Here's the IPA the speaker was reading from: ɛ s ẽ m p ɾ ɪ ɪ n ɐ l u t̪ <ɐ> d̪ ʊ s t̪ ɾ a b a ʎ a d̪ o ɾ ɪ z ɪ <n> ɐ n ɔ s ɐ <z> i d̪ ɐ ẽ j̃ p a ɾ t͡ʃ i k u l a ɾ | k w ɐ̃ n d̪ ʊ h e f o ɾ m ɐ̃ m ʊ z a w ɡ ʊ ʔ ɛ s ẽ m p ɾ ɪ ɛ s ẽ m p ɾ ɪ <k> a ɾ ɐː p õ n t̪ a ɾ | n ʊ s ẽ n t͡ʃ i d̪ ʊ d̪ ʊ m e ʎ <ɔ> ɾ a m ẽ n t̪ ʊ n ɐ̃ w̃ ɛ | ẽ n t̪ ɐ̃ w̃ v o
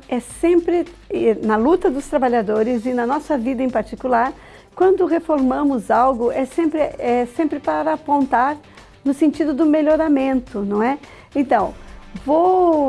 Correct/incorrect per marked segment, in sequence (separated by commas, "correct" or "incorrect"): correct, correct, incorrect, incorrect, incorrect